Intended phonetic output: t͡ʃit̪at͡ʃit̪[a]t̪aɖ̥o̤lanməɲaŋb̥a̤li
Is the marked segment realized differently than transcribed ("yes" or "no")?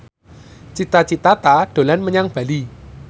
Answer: no